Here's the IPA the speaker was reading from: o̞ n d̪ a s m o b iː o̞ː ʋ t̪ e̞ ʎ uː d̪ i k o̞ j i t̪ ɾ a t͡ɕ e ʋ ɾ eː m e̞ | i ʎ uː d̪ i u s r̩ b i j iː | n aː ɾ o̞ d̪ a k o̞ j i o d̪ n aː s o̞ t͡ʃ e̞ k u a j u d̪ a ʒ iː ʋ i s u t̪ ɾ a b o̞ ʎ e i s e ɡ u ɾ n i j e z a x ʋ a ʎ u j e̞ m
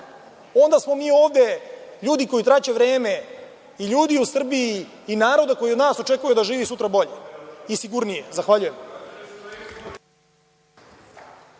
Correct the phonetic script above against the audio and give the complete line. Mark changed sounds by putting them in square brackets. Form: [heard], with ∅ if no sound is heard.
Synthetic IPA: o̞ n d̪ a s m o [m] iː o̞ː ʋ [d̪] e̞ ʎ uː d̪ i k o̞ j i t̪ ɾ a t͡ɕ e ʋ ɾ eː m e̞ | i ʎ uː d̪ i u s r̩ b i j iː | n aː ɾ o̞ d̪ a k o̞ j i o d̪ n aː s o̞ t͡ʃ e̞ k u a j u d̪ a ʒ iː ʋ i s u t̪ ɾ a b o̞ ʎ e i s [i] ɡ u ɾ n i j e z a x ʋ a ʎ u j e̞ m